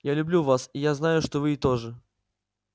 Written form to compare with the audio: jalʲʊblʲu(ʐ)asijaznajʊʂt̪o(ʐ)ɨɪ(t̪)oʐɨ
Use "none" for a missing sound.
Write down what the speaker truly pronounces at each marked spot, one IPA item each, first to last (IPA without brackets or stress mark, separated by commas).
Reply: v, v, t̪